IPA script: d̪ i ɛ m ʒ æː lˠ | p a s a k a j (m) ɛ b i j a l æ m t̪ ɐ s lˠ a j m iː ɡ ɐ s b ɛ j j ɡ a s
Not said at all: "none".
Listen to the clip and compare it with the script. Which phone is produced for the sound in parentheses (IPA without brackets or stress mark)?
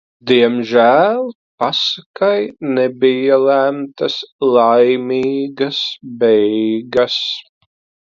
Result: n